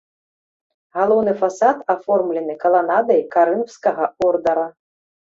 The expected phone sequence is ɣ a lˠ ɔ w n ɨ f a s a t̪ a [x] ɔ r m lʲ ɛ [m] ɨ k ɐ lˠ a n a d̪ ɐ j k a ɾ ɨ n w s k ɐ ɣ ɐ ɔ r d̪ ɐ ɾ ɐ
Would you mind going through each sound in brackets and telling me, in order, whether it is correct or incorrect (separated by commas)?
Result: incorrect, incorrect